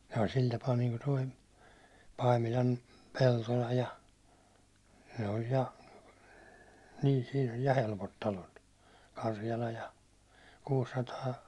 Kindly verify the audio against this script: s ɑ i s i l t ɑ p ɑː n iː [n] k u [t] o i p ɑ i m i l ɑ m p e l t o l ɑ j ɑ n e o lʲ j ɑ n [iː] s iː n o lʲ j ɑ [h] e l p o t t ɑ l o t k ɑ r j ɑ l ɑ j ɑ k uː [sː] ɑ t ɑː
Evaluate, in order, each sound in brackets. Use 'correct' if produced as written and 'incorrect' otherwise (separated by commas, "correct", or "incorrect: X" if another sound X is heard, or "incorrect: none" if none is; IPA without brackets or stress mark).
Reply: incorrect: ŋ, correct, correct, correct, correct